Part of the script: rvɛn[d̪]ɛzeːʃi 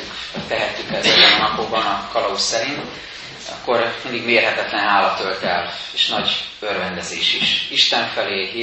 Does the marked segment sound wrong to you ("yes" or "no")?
no